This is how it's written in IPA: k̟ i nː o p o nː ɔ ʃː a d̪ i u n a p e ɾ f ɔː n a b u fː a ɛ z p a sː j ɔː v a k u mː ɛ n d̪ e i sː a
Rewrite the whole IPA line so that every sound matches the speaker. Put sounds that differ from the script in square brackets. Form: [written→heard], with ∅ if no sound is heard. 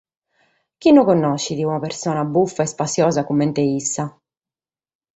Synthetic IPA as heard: k̟ i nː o [p→k] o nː ɔ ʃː [a→i] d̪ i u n a p e ɾ [f→s] ɔː n a b u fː a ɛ [z→s] p a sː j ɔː [v→z] a k u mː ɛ n [d̪→t̪] e i sː a